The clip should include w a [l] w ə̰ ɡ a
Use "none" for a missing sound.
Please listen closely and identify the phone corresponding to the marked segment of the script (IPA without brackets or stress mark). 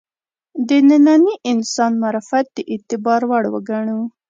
ɽ